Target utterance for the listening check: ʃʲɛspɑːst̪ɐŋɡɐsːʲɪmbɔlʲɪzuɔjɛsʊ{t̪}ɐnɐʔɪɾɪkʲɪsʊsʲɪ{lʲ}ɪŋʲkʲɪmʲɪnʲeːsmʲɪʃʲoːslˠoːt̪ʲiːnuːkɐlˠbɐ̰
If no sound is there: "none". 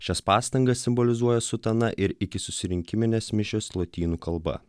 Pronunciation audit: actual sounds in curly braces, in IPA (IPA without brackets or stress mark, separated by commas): t̪, ɾʲ